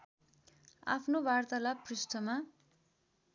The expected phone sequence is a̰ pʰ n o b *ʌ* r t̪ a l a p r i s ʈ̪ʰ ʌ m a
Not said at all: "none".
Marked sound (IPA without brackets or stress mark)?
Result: a